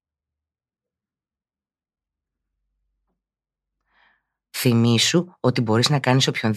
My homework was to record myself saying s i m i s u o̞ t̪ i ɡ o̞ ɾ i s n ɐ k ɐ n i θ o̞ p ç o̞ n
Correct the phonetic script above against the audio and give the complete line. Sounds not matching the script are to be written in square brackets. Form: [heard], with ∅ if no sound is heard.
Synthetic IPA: [θ] i m i s u o̞ t̪ i [b] o̞ ɾ i [z] n ɐ k ɐ n i [s] o̞ p ç o̞ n